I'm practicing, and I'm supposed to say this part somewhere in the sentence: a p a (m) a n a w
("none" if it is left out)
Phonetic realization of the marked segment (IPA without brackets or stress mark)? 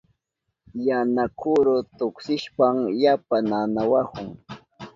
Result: n